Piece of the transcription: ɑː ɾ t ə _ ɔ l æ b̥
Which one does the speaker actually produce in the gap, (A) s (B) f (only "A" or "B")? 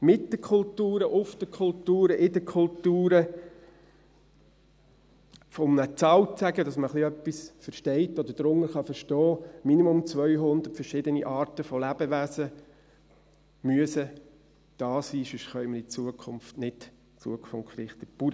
B